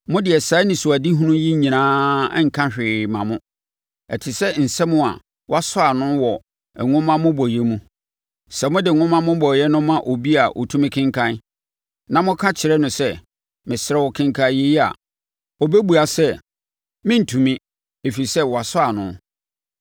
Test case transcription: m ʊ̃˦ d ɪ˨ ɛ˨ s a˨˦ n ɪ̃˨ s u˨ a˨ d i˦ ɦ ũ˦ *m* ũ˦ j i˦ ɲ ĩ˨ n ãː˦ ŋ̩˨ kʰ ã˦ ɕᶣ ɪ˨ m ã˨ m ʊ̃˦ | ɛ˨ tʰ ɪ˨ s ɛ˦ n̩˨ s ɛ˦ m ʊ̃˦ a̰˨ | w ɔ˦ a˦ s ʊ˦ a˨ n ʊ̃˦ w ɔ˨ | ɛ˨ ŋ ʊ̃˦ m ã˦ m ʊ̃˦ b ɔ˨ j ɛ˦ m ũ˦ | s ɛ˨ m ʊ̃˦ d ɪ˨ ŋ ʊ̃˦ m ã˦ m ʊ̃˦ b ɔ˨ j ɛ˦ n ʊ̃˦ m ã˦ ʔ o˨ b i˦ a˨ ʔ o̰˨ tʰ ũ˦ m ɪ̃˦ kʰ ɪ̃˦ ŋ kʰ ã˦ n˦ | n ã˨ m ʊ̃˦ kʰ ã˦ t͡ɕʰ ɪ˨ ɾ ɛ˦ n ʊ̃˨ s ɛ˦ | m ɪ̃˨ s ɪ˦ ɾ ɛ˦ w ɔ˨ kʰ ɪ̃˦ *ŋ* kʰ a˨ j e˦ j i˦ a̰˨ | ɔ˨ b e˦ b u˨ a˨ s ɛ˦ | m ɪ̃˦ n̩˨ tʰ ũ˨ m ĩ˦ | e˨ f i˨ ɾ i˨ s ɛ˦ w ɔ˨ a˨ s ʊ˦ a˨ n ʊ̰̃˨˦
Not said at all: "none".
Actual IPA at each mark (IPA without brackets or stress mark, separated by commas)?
n, ŋ